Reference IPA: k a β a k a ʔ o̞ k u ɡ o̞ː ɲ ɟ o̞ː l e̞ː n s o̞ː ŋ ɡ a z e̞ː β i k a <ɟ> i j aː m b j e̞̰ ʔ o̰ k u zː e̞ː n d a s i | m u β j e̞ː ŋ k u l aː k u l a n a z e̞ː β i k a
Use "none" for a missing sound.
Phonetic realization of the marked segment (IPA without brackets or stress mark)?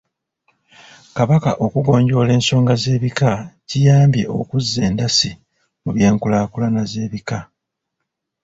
c